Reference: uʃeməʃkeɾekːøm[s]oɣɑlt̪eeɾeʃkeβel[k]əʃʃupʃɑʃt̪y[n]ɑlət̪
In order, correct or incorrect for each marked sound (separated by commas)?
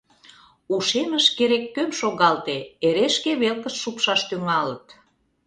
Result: incorrect, correct, incorrect